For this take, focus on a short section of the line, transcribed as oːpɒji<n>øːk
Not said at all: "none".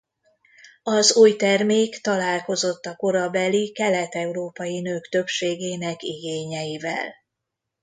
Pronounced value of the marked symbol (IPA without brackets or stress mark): n